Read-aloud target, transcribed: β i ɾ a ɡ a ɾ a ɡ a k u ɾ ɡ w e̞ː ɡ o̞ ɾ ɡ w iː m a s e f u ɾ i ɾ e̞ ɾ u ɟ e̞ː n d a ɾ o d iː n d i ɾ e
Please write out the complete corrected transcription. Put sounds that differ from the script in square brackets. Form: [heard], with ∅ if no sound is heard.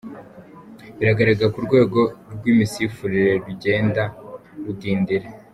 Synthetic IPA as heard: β i ɾ a ɡ a ɾ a ɡ a k u ɾ ɡ w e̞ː ɡ o̞ ɾ ɡ w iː m [i] s [i] f u ɾ i ɾ e̞ ɾ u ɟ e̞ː n d a ɾ [u] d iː n d i ɾ e